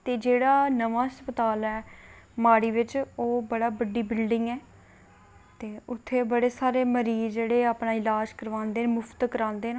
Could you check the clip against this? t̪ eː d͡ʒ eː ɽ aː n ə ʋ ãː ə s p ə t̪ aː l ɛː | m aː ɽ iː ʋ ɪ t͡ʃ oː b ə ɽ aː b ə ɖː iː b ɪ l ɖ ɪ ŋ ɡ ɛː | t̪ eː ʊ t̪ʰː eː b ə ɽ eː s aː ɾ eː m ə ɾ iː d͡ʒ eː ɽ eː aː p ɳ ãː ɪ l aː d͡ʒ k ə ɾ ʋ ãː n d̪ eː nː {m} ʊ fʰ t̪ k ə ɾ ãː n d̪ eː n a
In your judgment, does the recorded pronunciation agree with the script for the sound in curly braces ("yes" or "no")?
yes